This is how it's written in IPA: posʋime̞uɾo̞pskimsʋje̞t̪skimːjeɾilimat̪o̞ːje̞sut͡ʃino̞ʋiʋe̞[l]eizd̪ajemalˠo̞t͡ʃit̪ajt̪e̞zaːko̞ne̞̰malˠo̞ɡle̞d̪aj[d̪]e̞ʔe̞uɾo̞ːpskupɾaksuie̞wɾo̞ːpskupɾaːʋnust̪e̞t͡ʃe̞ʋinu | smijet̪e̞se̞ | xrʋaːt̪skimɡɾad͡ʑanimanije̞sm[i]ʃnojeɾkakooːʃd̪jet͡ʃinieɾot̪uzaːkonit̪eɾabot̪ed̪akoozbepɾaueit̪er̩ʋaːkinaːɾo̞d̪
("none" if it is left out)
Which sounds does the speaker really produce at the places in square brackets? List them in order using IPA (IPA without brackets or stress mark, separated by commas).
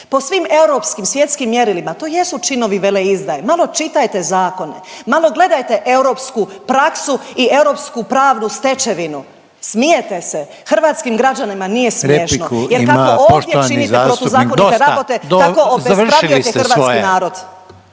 l, t̪, e